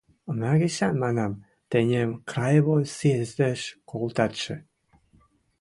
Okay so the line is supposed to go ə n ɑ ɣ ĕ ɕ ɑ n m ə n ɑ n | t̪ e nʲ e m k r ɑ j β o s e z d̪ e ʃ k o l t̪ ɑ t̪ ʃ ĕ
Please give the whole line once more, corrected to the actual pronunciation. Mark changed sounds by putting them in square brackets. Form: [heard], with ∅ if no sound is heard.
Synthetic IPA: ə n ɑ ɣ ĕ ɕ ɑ n m [ɑ] n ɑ [m] | t̪ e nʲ e m k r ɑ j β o s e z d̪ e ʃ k o l t̪ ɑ t̪ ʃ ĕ

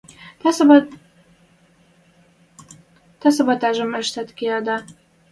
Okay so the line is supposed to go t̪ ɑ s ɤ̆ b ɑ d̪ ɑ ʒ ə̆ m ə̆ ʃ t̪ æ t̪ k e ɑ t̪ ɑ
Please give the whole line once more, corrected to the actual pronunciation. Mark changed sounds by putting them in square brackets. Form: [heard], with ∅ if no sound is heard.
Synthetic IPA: t̪ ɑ s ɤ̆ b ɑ [t̪] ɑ ʒ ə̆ m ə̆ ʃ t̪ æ t̪ k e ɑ [d̪] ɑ

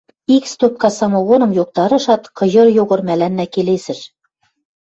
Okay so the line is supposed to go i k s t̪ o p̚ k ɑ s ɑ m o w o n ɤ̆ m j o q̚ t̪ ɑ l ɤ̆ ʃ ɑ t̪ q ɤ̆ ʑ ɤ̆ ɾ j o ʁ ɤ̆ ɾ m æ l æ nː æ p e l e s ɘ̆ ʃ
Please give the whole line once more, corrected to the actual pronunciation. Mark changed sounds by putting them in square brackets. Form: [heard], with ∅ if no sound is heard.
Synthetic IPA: i k s t̪ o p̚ k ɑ s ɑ m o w o n ɤ̆ m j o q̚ t̪ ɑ [ɾ] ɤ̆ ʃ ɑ t̪ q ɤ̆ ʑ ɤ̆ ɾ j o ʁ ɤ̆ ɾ m æ l æ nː æ [k] e l e s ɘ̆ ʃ

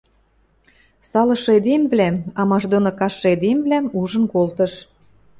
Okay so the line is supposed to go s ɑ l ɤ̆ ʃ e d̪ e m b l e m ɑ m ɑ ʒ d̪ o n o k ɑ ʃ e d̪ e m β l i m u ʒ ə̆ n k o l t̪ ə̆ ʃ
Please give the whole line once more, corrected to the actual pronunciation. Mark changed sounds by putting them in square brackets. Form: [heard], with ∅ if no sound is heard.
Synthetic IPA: s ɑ l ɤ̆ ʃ e d̪ e m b l [æ] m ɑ m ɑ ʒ d̪ o n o k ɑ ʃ e d̪ e m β l [æ] m u ʒ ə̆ n k o l t̪ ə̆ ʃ

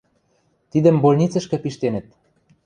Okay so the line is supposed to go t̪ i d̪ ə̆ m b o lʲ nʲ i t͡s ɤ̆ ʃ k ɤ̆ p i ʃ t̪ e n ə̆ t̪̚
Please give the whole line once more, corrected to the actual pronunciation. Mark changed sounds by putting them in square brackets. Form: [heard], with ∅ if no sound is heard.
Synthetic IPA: t̪ i d̪ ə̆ m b o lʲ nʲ i t͡s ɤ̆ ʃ k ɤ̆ p i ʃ t̪ e n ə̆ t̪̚

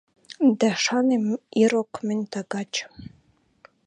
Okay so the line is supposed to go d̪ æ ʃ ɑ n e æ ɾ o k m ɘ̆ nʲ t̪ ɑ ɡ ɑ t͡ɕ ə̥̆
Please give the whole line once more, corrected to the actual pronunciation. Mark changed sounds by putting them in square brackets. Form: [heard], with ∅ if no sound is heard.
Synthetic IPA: d̪ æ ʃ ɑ n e [i] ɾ o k m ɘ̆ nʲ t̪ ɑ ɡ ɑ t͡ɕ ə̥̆

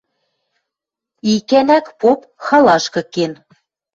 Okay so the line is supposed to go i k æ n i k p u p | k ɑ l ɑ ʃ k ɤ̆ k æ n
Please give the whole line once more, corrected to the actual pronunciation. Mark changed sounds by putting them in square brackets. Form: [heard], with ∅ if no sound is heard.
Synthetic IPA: i k æ n [æ] k p [o] p | [x] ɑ l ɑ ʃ k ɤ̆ k [e] n

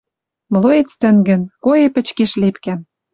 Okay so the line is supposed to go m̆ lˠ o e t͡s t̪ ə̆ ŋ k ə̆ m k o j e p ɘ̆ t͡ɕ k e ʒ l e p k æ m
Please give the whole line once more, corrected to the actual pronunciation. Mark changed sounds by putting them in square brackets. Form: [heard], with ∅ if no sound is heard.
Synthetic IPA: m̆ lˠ o e t͡s t̪ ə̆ ŋ [ɡ] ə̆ [n] k o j e p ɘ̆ t͡ɕ k e [ʃ] l e p k æ m

